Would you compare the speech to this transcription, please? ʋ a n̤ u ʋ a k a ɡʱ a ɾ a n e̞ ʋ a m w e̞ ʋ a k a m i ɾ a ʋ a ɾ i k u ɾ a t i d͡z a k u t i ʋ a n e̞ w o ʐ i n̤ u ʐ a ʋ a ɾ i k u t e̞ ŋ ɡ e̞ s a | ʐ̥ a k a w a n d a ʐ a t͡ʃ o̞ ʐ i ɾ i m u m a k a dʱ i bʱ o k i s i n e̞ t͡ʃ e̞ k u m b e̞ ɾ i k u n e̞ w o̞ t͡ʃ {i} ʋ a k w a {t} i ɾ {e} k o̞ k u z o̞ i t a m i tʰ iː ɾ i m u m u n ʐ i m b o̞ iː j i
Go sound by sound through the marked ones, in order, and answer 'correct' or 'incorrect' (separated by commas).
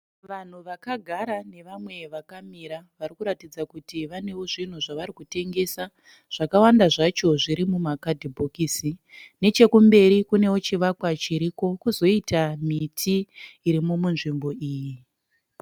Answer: correct, incorrect, incorrect